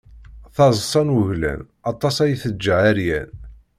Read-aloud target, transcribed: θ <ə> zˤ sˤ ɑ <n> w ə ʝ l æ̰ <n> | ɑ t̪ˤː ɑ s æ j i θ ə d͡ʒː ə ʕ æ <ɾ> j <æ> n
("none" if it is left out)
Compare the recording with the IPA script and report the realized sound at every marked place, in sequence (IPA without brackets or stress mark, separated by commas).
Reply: ɑ, n, n, ɾ, æ